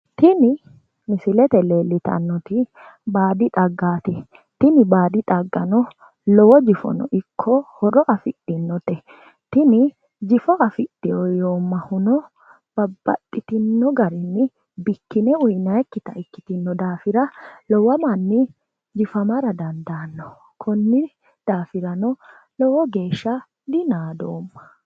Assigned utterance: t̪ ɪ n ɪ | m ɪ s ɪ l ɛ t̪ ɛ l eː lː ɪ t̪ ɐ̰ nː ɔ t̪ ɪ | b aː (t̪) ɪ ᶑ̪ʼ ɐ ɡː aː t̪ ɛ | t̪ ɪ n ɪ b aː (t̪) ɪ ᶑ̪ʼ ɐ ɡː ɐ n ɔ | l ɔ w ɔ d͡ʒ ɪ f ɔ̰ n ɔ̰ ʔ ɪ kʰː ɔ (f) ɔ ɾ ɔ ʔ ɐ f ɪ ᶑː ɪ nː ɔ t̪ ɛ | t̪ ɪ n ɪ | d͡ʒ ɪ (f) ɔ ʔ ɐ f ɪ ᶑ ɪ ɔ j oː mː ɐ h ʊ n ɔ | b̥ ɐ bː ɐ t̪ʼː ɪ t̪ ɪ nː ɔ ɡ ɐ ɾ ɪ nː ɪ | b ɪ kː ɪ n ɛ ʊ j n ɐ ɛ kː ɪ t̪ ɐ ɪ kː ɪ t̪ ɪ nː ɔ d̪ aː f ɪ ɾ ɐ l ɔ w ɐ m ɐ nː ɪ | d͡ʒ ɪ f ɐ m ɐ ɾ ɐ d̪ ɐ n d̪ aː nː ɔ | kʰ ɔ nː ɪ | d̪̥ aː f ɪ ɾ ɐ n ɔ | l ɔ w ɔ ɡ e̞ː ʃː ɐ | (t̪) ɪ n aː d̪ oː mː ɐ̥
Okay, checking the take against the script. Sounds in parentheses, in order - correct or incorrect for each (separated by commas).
incorrect, incorrect, incorrect, correct, incorrect